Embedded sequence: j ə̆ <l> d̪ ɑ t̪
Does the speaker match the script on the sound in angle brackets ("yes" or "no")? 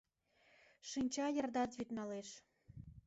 no